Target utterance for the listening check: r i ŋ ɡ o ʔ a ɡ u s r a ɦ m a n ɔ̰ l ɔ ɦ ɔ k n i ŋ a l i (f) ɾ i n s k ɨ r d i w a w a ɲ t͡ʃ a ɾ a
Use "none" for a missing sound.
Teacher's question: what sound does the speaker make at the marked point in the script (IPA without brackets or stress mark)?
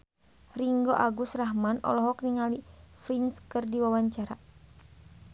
f